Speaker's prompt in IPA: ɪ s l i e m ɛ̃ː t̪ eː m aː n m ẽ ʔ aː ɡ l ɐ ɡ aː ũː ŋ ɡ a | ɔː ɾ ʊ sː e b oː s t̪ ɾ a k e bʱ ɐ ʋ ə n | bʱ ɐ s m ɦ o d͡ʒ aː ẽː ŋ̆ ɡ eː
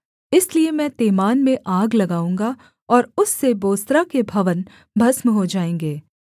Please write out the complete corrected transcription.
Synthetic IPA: ɪ s l i e m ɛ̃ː t̪ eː m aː n m ẽ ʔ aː ɡ l ɐ ɡ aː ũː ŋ ɡ a | ɔː ɾ ʊ sː e b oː s t̪ ɾ a k e bʱ ɐ ʋ ə n | bʱ ɐ s m ɦ o d͡ʒ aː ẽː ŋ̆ ɡ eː